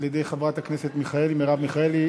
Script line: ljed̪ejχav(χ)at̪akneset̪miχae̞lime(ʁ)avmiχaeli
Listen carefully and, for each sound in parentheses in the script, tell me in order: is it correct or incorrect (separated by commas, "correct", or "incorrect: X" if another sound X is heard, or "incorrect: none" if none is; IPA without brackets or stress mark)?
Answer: incorrect: ʁ, correct